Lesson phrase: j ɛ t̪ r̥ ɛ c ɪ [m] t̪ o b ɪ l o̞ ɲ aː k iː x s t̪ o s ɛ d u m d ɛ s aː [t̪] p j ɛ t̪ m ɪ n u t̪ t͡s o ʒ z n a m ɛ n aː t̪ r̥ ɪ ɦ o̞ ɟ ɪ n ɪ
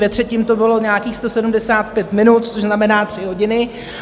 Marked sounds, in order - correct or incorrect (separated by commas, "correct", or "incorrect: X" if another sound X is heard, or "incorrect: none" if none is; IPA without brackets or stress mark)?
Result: correct, correct